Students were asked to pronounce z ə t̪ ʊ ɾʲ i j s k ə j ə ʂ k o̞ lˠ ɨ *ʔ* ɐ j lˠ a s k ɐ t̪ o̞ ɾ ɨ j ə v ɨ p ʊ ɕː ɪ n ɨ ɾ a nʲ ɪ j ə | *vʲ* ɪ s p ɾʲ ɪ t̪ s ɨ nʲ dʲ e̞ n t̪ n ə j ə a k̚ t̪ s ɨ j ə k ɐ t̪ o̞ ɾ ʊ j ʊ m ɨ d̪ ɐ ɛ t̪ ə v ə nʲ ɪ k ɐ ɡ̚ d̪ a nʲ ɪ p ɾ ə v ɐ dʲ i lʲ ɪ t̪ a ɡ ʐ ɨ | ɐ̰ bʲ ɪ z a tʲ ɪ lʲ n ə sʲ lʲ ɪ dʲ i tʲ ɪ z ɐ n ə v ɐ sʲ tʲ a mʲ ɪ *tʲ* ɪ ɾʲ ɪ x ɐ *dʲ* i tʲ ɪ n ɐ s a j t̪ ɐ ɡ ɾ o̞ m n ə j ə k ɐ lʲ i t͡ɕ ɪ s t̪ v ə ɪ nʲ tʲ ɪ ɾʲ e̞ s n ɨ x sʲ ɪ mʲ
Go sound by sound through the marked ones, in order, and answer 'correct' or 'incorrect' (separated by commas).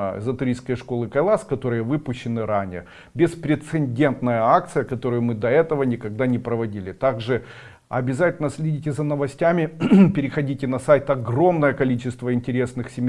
incorrect, incorrect, incorrect, correct